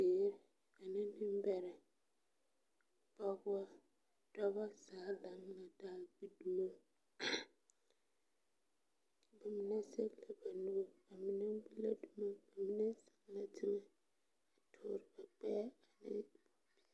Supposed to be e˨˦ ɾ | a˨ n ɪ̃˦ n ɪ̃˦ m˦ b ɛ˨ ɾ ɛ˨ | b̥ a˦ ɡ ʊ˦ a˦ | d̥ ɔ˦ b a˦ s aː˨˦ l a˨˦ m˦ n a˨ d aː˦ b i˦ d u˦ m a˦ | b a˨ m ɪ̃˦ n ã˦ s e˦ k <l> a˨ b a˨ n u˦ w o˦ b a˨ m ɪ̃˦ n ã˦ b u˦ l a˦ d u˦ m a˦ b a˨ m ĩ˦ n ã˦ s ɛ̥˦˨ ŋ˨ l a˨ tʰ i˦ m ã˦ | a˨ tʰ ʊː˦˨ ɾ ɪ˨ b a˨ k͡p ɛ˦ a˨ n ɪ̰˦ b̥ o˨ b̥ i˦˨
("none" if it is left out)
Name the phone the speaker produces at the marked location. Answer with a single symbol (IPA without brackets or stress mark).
l